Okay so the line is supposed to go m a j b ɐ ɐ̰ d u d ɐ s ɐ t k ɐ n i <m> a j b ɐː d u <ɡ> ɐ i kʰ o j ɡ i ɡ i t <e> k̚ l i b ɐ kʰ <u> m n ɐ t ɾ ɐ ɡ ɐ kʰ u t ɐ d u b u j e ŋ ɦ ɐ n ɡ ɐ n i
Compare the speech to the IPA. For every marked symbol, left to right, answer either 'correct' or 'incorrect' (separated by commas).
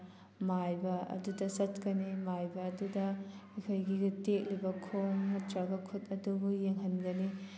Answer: correct, incorrect, correct, incorrect